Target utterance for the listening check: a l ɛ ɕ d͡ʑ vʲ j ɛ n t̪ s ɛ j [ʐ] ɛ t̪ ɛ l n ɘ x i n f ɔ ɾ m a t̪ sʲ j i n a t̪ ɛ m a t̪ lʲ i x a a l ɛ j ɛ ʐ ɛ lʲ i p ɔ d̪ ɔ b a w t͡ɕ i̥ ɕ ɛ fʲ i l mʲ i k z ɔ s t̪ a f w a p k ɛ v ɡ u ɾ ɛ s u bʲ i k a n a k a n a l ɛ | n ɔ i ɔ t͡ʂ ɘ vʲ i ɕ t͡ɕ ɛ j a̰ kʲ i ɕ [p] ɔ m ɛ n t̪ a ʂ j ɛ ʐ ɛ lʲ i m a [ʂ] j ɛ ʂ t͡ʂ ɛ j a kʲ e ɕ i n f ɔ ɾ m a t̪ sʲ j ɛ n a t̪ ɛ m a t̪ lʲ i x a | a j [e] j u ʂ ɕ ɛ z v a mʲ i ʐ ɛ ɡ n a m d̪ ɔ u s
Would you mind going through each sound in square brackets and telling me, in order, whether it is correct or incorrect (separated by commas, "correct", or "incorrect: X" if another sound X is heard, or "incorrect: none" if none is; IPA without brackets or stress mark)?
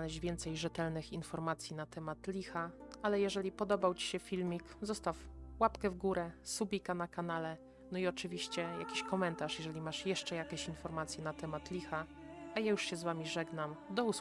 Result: correct, incorrect: k, correct, incorrect: a